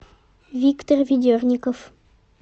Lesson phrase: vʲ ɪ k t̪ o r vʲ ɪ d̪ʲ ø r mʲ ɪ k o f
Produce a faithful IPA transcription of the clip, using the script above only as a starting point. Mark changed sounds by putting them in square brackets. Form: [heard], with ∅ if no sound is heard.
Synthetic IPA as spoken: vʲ [i] k t̪ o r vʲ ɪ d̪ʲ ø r [nʲ] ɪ k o f